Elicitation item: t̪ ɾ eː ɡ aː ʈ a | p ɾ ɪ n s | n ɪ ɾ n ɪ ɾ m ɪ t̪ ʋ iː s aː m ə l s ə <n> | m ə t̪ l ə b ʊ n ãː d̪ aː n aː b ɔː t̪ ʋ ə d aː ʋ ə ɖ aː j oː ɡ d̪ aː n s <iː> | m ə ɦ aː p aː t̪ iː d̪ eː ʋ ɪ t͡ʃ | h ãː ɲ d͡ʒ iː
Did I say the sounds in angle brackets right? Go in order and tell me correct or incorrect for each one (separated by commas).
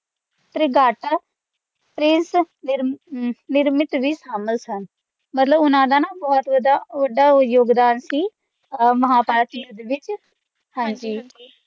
correct, correct